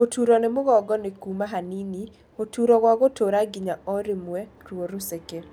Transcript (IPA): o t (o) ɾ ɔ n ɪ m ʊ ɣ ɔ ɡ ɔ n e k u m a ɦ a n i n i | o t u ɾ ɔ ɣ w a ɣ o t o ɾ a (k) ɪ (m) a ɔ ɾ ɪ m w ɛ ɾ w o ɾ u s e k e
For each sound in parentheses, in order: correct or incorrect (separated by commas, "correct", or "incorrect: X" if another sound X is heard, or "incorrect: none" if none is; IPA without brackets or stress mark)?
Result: incorrect: u, incorrect: ɡ, incorrect: ɲ